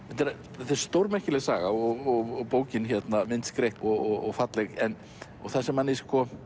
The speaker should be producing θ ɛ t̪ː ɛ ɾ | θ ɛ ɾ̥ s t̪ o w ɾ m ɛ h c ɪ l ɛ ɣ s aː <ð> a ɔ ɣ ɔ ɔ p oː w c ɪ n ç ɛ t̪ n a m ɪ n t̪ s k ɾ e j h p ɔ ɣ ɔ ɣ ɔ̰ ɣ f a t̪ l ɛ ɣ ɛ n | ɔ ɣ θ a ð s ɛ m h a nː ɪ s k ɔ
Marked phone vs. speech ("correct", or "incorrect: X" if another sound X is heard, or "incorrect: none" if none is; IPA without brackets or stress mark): incorrect: ɣ